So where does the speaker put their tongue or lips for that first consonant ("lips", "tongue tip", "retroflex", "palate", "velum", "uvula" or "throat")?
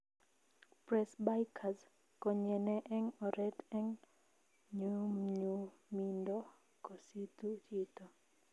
lips